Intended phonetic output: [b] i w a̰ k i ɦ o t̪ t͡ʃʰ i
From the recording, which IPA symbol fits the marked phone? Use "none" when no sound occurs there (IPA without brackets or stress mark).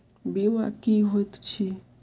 b